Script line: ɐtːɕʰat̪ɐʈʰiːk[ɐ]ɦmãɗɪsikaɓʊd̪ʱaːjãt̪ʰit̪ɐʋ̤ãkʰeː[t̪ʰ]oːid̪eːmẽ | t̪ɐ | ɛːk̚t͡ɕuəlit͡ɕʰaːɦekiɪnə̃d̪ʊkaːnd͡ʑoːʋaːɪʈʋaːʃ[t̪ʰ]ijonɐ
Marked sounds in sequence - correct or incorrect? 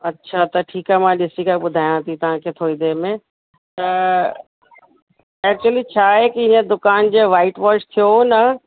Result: incorrect, correct, correct

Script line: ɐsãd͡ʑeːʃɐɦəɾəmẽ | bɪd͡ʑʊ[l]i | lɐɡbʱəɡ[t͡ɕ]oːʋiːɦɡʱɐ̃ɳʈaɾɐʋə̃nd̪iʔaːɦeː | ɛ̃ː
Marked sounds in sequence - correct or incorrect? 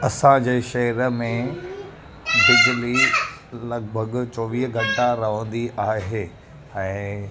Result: correct, correct

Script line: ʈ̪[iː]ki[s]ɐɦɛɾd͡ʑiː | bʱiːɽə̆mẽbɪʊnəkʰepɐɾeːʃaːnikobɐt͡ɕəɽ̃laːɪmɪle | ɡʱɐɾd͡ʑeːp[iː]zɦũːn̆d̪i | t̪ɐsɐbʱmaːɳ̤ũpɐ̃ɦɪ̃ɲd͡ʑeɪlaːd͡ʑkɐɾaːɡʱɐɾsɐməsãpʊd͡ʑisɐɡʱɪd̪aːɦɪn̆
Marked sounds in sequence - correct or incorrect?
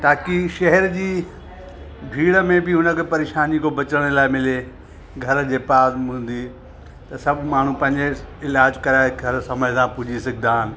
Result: incorrect, incorrect, incorrect

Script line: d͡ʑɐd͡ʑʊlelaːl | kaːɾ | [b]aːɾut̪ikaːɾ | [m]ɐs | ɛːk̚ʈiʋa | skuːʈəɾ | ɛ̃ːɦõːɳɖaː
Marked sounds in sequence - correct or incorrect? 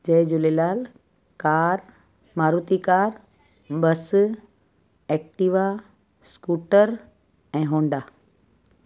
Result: incorrect, incorrect

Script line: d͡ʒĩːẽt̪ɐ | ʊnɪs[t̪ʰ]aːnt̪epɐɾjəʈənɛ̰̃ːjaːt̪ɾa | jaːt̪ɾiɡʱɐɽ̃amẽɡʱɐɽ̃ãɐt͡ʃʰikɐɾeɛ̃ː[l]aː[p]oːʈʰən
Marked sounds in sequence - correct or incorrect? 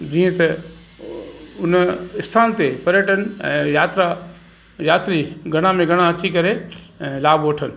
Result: correct, correct, incorrect

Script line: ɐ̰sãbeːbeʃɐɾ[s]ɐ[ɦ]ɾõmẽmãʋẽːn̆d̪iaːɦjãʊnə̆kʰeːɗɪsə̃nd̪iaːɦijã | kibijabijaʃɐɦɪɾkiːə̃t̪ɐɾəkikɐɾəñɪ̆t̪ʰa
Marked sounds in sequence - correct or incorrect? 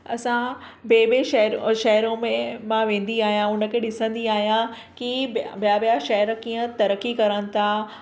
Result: incorrect, correct

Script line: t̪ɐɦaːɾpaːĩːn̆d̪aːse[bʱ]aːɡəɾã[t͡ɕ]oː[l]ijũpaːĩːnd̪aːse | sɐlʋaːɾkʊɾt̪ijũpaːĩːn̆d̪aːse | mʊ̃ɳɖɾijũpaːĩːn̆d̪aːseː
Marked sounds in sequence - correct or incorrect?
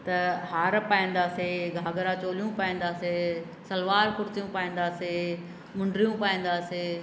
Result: incorrect, correct, correct

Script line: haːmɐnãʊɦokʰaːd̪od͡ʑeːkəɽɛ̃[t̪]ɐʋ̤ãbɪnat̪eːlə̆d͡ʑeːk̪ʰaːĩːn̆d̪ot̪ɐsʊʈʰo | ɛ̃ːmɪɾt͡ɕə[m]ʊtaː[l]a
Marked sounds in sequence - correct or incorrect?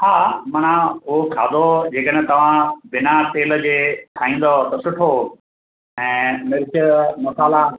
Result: correct, correct, correct

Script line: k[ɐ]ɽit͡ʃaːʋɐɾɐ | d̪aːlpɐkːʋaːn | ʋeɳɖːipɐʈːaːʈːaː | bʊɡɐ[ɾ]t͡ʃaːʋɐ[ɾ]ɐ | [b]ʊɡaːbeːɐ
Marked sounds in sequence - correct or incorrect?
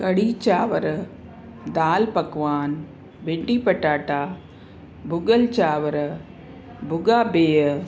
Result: correct, incorrect, correct, correct

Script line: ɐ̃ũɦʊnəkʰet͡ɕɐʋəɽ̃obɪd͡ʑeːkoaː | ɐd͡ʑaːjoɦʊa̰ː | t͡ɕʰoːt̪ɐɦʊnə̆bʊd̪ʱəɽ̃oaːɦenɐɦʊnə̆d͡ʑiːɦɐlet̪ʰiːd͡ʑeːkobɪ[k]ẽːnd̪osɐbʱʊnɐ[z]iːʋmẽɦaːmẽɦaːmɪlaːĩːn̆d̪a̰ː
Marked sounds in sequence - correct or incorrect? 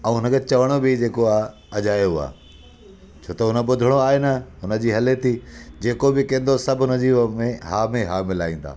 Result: correct, correct

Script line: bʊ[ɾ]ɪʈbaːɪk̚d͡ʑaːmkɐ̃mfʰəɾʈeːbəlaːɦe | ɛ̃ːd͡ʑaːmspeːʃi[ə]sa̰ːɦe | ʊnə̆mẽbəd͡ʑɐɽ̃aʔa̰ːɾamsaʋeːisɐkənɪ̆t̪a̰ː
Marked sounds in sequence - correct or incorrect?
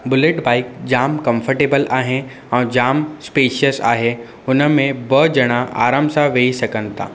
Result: incorrect, correct

